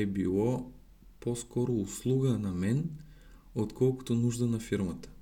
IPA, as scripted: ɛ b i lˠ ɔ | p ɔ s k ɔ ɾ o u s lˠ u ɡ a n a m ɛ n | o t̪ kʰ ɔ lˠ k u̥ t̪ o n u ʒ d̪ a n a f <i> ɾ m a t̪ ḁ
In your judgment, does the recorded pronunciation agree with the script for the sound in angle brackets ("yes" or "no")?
yes